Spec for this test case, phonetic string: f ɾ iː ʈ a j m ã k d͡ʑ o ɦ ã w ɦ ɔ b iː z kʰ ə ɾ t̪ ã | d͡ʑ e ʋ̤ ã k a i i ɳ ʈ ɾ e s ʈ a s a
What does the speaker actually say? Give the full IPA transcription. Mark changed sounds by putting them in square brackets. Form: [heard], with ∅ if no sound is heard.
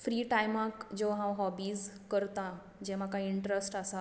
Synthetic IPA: f ɾ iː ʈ a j m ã k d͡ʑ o ɦ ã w ɦ ɔ b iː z [k] ə ɾ t̪ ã | d͡ʑ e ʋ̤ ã k a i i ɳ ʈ ɾ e s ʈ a s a